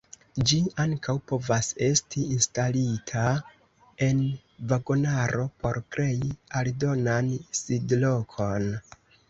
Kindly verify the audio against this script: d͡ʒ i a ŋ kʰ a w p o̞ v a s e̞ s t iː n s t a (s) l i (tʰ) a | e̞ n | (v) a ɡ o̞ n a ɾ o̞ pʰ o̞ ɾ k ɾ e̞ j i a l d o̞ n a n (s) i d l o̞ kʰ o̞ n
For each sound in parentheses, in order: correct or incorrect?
incorrect, correct, correct, correct

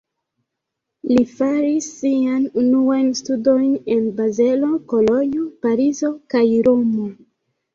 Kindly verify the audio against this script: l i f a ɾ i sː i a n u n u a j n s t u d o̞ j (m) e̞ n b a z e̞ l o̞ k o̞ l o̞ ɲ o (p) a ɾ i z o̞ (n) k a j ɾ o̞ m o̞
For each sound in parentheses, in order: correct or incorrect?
incorrect, correct, incorrect

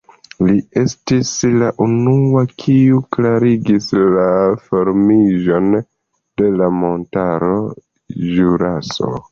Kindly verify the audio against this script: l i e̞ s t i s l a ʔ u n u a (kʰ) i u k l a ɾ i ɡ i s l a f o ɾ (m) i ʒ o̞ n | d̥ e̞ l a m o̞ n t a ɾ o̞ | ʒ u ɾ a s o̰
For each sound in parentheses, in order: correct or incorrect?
correct, correct

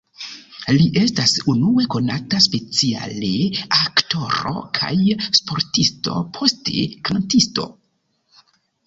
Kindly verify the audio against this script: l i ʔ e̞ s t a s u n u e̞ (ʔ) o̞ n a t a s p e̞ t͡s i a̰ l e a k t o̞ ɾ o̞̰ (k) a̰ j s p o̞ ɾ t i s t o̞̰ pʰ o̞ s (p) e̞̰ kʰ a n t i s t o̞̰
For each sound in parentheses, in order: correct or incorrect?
incorrect, incorrect, incorrect

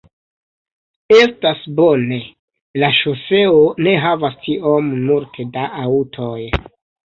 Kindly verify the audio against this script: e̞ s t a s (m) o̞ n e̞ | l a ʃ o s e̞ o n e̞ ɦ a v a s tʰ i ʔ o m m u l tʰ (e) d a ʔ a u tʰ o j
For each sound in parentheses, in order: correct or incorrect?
incorrect, correct

